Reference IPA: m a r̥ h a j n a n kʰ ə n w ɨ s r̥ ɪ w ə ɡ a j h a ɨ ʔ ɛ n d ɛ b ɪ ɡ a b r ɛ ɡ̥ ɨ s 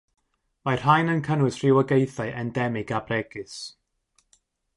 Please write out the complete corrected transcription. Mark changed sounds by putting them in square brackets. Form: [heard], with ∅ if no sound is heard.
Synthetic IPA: m a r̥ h a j n [ə] n kʰ ə n w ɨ s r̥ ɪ w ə ɡ [e] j [θ] a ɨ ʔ ɛ n d ɛ [m] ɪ ɡ a b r ɛ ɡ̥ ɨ s